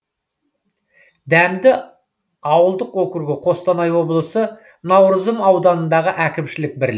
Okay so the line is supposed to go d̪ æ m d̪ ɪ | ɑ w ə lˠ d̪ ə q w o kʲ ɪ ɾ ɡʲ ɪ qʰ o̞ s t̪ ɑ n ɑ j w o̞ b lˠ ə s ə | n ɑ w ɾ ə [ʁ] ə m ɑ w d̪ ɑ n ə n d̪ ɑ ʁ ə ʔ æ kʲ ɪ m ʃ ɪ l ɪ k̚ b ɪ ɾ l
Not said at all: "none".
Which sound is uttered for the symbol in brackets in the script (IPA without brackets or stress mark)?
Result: z